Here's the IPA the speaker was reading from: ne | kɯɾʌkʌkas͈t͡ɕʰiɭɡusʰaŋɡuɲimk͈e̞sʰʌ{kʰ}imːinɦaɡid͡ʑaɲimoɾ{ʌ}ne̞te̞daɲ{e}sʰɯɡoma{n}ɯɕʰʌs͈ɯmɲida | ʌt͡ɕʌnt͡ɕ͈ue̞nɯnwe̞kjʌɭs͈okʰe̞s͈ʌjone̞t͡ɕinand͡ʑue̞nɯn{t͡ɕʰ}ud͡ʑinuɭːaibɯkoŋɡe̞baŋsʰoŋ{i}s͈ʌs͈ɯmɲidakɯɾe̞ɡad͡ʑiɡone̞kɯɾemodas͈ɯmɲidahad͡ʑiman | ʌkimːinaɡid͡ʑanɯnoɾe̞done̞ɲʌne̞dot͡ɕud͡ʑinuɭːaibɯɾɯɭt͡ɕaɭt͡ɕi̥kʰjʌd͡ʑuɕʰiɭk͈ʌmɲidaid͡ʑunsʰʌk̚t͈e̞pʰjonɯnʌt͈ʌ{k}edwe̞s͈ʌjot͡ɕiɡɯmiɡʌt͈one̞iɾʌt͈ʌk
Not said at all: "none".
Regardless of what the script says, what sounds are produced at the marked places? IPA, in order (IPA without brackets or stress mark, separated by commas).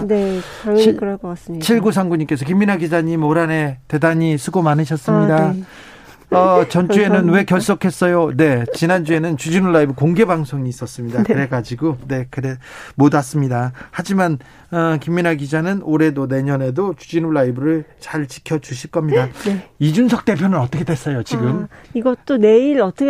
k, a, i, n, t͡ɕ, iː, kʰ